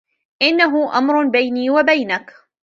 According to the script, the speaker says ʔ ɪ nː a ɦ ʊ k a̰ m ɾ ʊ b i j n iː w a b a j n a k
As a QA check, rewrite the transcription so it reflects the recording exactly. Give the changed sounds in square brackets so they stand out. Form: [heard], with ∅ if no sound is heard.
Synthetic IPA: ʔ ɪ nː a ɦ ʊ [ʔ] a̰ m ɾ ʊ b [a] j n iː w a b a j n a k